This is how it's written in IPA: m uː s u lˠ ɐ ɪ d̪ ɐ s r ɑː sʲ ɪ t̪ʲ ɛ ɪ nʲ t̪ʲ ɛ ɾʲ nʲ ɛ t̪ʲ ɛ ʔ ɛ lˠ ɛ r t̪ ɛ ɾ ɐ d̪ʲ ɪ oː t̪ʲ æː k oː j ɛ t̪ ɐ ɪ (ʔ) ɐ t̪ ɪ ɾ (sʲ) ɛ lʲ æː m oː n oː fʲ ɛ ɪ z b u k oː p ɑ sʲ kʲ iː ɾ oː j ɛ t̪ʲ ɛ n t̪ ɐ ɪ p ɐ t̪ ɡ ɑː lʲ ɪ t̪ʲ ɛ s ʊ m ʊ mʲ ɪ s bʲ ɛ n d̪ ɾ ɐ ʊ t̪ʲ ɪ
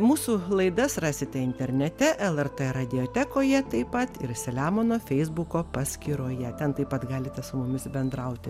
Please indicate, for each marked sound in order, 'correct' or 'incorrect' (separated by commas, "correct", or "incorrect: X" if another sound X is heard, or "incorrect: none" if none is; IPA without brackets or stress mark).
incorrect: p, correct